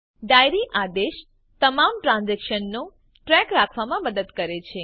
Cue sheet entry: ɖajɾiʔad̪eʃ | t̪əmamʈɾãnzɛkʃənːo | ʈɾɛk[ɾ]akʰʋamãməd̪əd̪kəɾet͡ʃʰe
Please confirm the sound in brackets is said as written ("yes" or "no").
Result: yes